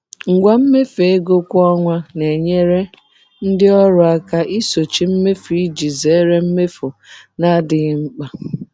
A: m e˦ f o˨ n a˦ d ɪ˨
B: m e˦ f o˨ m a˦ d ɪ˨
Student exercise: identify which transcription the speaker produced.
A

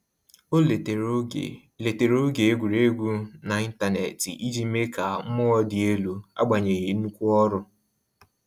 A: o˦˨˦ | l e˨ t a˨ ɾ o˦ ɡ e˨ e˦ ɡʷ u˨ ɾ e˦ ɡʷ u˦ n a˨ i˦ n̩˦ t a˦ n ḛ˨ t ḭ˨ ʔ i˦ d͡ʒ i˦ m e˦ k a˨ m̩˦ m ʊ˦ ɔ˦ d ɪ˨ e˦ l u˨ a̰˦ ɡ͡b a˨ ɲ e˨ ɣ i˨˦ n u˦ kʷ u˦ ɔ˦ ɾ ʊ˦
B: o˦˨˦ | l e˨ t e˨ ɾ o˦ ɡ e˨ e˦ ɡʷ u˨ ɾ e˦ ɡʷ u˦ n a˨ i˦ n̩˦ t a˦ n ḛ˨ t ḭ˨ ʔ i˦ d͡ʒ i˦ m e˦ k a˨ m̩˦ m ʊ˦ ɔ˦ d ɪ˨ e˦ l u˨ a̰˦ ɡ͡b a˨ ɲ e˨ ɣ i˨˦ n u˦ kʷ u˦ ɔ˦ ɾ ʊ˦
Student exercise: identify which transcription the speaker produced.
B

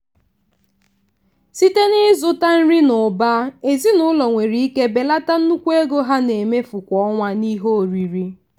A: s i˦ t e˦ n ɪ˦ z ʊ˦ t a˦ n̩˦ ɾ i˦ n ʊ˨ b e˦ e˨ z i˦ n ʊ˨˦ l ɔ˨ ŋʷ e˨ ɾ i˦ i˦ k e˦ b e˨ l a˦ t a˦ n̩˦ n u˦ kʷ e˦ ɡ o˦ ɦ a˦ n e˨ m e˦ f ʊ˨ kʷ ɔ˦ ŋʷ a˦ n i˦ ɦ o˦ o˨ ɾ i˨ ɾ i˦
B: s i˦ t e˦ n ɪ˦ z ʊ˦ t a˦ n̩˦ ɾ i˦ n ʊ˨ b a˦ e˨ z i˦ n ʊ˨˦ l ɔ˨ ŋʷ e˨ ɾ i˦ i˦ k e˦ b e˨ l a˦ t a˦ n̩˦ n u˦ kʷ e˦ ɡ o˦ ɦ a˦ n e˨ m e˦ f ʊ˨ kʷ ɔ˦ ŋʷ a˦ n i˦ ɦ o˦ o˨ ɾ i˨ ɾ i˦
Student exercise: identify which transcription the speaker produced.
B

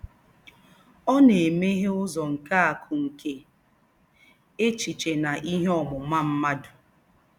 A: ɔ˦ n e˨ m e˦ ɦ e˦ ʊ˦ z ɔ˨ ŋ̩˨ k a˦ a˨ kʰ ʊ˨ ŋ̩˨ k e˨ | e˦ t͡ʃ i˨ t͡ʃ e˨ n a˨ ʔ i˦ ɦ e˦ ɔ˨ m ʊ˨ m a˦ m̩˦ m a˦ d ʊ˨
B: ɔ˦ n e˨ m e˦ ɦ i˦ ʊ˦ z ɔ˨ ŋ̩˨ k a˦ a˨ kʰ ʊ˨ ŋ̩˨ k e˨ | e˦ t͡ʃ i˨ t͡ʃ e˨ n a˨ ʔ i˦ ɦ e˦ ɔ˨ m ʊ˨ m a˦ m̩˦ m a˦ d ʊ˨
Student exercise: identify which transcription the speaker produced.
A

